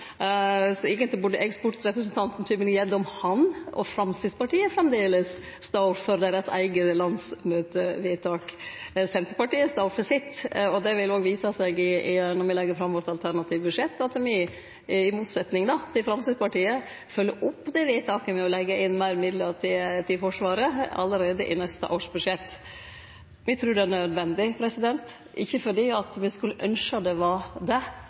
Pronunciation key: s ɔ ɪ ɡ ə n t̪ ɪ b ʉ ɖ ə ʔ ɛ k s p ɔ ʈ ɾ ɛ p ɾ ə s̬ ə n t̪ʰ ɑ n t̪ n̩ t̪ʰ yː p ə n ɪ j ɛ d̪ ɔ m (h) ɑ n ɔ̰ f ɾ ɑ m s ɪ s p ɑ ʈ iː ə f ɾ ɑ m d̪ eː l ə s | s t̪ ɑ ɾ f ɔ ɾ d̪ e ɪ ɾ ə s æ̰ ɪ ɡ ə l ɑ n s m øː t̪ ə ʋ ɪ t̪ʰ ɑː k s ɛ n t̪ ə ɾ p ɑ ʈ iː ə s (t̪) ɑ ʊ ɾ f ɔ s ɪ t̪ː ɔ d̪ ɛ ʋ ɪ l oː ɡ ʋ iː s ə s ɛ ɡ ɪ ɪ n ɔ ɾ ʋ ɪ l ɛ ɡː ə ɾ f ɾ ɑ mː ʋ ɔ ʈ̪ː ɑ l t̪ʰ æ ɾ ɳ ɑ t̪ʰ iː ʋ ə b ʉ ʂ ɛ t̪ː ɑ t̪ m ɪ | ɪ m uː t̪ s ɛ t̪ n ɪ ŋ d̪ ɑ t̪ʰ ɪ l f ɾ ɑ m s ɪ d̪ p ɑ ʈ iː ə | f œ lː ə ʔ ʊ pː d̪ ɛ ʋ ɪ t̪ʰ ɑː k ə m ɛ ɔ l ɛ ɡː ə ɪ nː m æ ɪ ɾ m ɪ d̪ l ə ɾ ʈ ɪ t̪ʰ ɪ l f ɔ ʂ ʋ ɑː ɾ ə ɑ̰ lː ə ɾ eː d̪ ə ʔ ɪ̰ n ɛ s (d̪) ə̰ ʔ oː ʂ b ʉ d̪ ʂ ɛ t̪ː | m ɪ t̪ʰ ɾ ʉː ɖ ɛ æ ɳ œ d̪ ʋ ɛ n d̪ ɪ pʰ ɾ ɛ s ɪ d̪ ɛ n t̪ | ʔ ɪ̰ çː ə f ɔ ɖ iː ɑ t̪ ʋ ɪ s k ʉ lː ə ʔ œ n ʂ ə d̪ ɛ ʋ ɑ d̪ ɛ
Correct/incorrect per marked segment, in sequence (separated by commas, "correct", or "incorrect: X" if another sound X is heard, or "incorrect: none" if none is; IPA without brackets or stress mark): correct, correct, incorrect: t̪